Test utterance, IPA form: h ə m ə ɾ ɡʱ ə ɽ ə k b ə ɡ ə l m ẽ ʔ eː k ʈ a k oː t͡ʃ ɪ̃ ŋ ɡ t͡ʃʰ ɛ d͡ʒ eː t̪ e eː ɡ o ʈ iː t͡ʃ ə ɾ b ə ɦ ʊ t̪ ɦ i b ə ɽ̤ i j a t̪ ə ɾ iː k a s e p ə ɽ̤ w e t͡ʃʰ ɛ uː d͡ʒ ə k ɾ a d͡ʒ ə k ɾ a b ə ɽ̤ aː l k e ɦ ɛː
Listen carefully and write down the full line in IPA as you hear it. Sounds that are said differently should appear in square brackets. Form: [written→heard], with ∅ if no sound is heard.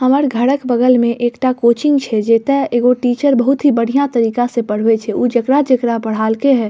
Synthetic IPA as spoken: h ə m ə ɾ ɡʱ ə ɽ ə k b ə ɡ ə l m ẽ ʔ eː k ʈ a k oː t͡ʃ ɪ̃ ŋ ɡ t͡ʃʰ ɛ d͡ʒ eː t̪ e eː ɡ o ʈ iː t͡ʃ ə ɾ b ə ɦ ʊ t̪ ɦ i b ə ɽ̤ i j a t̪ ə ɾ iː k a s e p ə ɽ̤ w e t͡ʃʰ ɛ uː d͡ʒ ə k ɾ a d͡ʒ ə k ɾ a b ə ɽ̤ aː l k e ɦ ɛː